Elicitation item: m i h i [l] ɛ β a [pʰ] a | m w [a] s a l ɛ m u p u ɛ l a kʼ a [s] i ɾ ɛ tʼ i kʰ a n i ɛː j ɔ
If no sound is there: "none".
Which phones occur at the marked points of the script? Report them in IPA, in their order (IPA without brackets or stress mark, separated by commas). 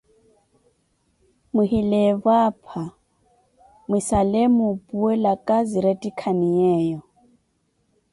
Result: l, pʰ, i, z